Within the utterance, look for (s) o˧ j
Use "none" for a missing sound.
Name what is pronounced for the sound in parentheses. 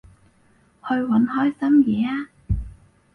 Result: h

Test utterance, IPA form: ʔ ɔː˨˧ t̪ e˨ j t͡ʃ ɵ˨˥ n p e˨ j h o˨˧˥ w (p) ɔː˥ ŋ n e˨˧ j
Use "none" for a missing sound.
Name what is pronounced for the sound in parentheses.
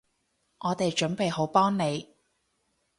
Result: p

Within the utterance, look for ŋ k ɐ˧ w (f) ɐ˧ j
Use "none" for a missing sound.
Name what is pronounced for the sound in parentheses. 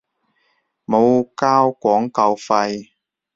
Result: f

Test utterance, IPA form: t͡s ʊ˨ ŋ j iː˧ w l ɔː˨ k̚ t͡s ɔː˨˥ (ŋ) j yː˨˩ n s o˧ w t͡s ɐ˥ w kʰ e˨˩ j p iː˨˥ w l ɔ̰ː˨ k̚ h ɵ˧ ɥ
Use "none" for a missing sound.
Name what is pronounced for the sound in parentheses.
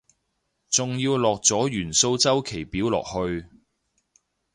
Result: none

